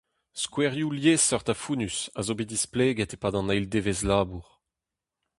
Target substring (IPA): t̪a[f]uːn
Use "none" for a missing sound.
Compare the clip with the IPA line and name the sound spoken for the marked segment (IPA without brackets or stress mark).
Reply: f